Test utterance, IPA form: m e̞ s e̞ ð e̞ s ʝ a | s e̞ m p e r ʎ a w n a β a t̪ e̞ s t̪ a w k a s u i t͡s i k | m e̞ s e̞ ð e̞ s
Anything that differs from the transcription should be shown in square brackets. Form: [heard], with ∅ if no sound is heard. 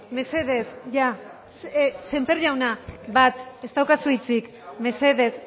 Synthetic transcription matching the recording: m e̞ s e̞ ð e̞ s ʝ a | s e̞ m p e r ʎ a w n a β a t̪ e̞ s t̪ a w k a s u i t͡s i k | m e̞ s e̞ ð e̞ s